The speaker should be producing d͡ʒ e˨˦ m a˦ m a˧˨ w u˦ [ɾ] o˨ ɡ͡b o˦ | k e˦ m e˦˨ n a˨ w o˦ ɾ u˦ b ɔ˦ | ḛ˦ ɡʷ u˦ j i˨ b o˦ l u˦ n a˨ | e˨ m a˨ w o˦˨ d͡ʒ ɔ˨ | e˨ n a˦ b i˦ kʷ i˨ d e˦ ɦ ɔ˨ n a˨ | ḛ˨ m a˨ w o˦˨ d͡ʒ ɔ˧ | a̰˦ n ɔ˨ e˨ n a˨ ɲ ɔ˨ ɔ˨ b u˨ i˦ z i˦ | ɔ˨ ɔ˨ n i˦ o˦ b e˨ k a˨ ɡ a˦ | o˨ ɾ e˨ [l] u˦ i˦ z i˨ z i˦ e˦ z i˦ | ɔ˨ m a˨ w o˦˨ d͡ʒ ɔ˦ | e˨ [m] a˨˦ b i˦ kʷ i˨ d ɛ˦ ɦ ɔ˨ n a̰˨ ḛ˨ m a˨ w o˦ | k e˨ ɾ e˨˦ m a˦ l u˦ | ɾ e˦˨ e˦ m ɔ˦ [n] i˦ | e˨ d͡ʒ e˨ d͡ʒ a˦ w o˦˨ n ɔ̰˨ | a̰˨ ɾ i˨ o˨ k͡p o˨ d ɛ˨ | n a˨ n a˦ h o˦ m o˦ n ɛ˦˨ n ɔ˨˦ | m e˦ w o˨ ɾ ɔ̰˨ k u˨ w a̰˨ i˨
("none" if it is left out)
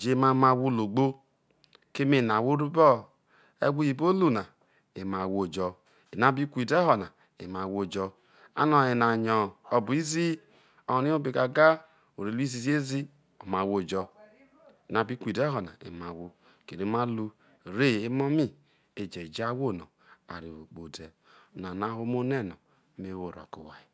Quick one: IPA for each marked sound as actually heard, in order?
l, l, n, m

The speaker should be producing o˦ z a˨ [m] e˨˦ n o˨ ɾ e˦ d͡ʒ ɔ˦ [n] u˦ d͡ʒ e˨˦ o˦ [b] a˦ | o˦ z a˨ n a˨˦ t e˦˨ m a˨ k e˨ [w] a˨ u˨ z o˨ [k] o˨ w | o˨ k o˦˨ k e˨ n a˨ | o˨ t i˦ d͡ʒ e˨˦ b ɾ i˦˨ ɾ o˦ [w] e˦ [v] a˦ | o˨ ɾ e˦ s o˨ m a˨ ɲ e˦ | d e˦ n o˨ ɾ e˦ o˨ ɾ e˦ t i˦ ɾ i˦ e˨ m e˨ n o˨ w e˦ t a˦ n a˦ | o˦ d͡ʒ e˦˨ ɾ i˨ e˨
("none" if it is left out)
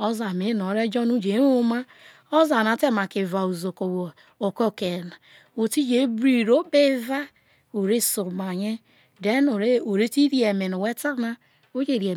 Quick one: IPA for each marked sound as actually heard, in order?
m, n, m, v, k, b, v

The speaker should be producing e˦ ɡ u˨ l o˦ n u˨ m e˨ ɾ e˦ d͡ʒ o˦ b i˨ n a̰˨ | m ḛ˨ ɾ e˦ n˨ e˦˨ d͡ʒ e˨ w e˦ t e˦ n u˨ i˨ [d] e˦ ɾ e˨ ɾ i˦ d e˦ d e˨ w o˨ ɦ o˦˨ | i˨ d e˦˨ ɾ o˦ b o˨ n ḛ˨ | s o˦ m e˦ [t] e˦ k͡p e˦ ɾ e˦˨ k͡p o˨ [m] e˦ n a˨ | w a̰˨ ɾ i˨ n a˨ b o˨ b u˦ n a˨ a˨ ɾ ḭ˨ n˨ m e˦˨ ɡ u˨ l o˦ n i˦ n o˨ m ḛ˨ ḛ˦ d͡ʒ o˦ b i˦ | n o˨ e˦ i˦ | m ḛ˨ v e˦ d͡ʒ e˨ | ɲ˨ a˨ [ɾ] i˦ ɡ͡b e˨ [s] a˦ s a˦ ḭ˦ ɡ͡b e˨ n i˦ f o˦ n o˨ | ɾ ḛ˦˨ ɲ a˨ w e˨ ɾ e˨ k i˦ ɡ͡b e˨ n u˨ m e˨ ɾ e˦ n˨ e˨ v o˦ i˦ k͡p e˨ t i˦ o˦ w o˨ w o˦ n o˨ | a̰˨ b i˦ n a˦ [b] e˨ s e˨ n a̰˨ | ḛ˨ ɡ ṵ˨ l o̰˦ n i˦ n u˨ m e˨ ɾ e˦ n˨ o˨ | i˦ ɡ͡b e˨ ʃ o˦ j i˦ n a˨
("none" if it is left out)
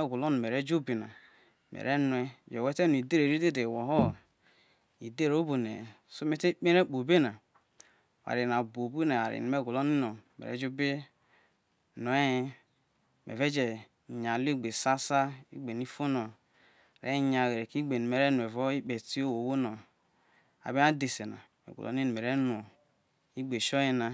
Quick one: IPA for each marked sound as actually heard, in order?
d, t, b, l, s, d

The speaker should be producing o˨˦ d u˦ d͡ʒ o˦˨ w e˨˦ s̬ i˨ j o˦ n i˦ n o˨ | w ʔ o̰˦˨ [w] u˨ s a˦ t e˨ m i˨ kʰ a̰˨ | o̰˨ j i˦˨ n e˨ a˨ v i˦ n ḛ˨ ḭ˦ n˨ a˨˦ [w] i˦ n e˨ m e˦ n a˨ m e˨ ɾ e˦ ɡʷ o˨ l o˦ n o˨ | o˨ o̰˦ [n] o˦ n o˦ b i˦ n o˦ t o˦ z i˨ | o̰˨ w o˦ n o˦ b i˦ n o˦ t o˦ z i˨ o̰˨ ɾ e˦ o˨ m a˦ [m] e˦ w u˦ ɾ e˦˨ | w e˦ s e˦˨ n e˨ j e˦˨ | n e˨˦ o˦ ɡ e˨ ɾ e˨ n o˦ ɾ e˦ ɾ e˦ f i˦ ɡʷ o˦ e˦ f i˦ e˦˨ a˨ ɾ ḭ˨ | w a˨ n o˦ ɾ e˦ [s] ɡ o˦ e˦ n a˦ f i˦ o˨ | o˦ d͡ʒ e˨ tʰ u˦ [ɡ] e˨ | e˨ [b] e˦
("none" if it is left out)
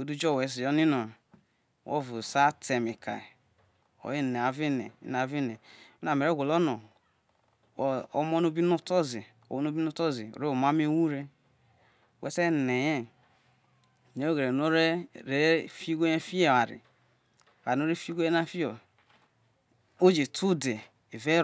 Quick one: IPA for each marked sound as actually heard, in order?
v, v, m, m, f, d, v

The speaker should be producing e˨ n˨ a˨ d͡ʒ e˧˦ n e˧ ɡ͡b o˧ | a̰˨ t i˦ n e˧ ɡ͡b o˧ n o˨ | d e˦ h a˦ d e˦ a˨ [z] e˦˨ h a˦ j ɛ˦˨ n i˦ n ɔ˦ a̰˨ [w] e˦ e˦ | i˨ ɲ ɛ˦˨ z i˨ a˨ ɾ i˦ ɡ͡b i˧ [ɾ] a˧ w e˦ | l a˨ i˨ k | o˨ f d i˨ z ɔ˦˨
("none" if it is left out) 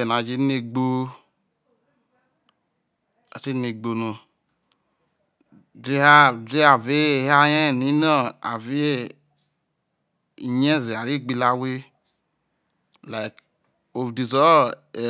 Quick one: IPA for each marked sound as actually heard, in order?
v, v, l

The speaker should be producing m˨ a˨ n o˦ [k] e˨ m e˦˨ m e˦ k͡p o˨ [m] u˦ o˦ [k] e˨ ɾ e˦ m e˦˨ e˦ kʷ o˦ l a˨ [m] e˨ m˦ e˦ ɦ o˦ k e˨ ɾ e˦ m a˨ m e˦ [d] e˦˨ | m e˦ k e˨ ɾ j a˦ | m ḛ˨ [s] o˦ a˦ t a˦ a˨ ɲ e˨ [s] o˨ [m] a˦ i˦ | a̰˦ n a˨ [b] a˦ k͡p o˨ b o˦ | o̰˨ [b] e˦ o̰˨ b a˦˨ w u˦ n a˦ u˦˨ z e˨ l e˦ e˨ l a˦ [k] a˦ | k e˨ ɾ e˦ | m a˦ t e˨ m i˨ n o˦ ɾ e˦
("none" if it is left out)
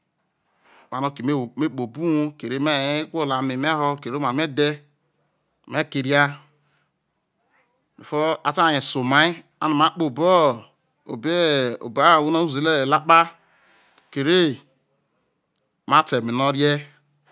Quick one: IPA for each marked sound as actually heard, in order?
k, b, k, m, d, f, s, m, m, b, k͡p

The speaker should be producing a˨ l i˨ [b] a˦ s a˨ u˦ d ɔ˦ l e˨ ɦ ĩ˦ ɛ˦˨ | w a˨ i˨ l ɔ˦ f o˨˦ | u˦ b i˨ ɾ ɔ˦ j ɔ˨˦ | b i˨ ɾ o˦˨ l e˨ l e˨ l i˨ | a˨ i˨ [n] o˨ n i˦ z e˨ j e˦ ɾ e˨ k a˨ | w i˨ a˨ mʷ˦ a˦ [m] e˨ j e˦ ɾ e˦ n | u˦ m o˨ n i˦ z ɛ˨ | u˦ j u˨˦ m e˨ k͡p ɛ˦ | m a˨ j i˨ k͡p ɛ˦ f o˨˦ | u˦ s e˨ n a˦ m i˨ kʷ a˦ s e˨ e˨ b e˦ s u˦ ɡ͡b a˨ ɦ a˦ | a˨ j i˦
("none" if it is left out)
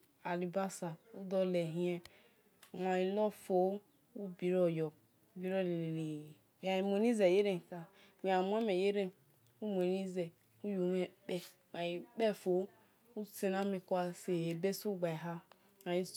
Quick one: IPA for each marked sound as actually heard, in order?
b, m, m

